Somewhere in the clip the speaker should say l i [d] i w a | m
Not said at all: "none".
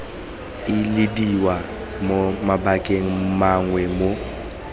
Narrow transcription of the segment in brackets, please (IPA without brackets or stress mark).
d